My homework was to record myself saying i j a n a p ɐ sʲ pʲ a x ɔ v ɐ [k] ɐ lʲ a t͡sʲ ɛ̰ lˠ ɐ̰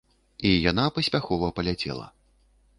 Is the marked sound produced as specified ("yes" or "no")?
no